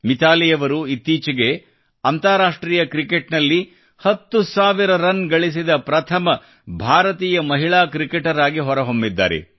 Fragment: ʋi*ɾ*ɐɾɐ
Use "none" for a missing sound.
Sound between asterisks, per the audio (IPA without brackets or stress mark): ɾ